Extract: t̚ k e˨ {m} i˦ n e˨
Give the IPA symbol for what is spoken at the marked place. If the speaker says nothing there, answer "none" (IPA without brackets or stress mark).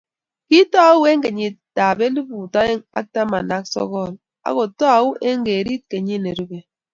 ɲ